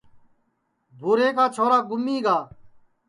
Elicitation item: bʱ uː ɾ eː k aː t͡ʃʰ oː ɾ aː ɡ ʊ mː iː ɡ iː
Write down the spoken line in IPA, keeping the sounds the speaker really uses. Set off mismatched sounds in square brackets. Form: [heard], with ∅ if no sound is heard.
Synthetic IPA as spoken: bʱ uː ɾ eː k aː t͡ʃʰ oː ɾ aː ɡ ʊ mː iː ɡ [aː]